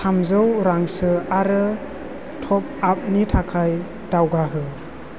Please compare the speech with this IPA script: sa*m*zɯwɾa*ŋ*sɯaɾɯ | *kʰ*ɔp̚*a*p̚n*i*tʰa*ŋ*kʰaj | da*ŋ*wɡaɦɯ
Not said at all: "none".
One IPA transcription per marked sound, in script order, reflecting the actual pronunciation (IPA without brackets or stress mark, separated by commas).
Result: m, ŋ, tʰ, a, i, none, none